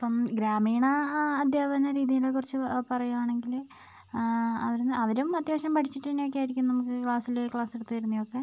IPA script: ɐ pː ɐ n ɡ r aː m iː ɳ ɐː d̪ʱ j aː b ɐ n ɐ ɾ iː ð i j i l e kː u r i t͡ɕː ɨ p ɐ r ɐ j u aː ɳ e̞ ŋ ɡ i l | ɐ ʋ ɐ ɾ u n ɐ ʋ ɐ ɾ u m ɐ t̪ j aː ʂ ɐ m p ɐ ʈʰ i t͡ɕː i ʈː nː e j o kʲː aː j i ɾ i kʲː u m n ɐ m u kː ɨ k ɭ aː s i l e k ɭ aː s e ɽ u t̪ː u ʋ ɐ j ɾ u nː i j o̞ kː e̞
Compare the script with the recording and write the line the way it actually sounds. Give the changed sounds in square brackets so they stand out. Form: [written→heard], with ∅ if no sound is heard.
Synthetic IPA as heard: ɐ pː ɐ [n→m] ɡ [r→ɾ] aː m iː ɳ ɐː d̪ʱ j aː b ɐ n ɐ ɾ iː ð i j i l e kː u r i t͡ɕː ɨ p ɐ r ɐ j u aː ɳ e̞ ŋ ɡ i l | ɐ ʋ ɐ ɾ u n ɐ ʋ ɐ ɾ u m ɐ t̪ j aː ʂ ɐ m p ɐ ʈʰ i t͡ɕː i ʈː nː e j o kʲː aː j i ɾ i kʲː u m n ɐ m u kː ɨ k ɭ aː s i l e k ɭ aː s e ɽ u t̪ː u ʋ ɐ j ɾ u nː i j o̞ kː e̞